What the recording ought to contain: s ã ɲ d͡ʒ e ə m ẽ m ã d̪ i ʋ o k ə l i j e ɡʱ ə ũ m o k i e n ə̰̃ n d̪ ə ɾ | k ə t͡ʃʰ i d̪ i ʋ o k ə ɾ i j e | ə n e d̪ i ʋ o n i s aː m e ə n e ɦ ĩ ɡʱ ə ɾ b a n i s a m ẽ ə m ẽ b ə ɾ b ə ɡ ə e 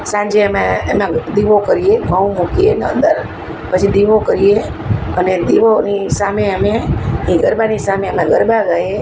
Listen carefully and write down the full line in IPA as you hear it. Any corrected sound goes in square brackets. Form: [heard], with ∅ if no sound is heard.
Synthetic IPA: s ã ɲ d͡ʒ e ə m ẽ m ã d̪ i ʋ o k ə [ɾ] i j e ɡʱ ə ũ m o k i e n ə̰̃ n d̪ ə ɾ | [p] ə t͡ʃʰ i d̪ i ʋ o k ə ɾ i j e | ə n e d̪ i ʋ o n i s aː m e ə [m] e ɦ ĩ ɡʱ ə ɾ b a n i s a m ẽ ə m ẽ [ɡ] ə ɾ b [a] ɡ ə e

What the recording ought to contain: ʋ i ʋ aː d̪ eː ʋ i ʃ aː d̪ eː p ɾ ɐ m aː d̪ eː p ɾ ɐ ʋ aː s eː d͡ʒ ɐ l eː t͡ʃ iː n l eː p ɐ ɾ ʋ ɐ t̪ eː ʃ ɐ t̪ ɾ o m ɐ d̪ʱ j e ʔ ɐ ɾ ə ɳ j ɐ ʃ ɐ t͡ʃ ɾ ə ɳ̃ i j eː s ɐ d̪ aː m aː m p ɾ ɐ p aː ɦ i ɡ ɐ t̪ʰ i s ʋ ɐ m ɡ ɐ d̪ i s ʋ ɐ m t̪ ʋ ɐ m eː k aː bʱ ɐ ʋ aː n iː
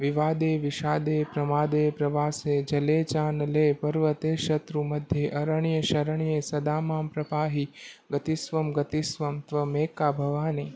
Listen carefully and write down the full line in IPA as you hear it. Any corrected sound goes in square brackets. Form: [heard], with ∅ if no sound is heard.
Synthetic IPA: ʋ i ʋ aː d̪ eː ʋ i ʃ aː d̪ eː p ɾ ɐ m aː d̪ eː p ɾ ɐ ʋ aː s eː d͡ʒ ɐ l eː t͡ʃ [aː] n l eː p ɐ ɾ ʋ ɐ t̪ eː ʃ ɐ t̪ ɾ [u] m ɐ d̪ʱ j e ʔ ɐ ɾ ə ɳ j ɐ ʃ ɐ [∅] ɾ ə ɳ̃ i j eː s ɐ d̪ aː m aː m p ɾ ɐ p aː ɦ i ɡ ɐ [t̪] i s ʋ ɐ m ɡ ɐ [t̪] i s ʋ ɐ m t̪ ʋ ɐ m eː k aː bʱ ɐ ʋ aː n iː

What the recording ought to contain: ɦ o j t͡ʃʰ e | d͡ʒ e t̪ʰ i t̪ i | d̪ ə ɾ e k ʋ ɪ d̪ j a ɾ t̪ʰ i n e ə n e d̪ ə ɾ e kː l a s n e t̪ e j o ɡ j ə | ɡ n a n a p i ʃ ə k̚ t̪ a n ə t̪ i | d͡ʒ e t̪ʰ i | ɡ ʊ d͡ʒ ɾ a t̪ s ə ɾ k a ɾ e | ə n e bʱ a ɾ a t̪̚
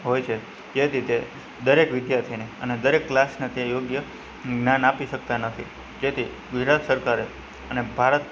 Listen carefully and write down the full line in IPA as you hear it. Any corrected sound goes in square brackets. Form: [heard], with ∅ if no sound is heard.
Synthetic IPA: ɦ o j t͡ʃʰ e | d͡ʒ e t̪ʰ i t̪ [e] | d̪ ə ɾ e k ʋ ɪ d̪ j a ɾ t̪ʰ i n e ə n e d̪ ə ɾ e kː l a s n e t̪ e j o ɡ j ə | ɡ n a n a p i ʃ ə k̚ t̪ a n ə [t̪ʰ] i | d͡ʒ e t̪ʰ i | ɡ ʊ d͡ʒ ɾ a t̪ s ə ɾ k a ɾ e | ə n e bʱ a ɾ [ə] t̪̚

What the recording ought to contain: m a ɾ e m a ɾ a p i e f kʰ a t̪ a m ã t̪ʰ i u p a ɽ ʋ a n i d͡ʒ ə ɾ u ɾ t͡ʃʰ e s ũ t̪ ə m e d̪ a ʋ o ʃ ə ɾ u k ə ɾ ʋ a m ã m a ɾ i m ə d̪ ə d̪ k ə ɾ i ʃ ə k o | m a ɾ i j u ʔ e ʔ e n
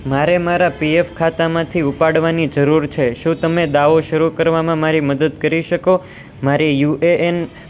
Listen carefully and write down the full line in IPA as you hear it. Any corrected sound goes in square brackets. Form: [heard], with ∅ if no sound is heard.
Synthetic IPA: m a ɾ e m a ɾ a p i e f kʰ a t̪ a m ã t̪ʰ i u p a ɽ ʋ a n i d͡ʒ ə ɾ u ɾ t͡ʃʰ e [ʃ] ũ t̪ ə m e d̪ a ʋ o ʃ ə ɾ u k ə ɾ ʋ a m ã m a ɾ i m ə d̪ ə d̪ k ə ɾ i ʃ ə k o | m a ɾ i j u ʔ e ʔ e n

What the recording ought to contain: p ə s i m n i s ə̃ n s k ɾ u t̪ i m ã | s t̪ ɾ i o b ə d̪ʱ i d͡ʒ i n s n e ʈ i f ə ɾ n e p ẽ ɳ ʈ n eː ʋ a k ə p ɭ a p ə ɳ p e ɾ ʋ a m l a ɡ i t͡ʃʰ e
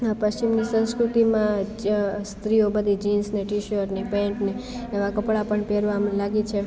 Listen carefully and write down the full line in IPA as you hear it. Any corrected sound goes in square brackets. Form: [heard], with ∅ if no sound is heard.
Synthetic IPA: p ə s i m n i s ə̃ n s k ɾ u t̪ i m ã | s t̪ ɾ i o b ə d̪ʱ i d͡ʒ i n s n e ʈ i [ʃ] ə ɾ n e p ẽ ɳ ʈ n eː ʋ a k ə p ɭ a p ə ɳ p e ɾ ʋ a m l a ɡ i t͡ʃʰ e

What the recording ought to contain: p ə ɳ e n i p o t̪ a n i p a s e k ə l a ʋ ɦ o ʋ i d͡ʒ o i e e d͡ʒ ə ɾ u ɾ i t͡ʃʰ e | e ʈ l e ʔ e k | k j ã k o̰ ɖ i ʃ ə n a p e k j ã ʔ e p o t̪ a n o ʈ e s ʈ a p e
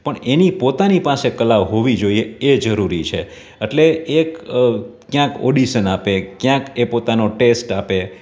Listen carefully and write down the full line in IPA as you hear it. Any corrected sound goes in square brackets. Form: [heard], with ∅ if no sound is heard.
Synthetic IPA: p ə ɳ e n i p o t̪ a n i p a s e k ə l a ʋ ɦ o ʋ i d͡ʒ o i e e d͡ʒ ə ɾ u ɾ i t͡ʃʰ e | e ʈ l e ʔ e k | k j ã k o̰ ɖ i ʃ ə n a p e k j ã [k] e p o t̪ a n o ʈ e s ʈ a p e

